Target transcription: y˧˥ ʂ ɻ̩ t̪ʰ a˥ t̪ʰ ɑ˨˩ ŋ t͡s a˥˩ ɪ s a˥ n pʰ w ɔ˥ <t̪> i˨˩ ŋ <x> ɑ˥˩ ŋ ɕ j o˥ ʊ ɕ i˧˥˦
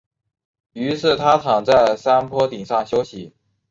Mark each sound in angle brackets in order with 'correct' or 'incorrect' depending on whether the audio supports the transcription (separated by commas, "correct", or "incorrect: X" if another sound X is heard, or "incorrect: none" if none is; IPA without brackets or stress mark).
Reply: correct, incorrect: ʂ